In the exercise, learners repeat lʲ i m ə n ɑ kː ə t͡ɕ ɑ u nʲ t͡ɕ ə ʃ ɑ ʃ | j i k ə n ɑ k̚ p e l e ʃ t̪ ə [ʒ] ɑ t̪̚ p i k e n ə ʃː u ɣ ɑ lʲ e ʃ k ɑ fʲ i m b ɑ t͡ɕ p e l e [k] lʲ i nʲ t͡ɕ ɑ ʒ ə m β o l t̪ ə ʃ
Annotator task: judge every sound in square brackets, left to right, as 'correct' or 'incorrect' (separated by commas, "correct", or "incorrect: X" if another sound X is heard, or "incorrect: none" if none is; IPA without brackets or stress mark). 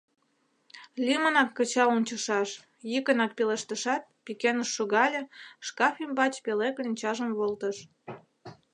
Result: incorrect: ʃ, correct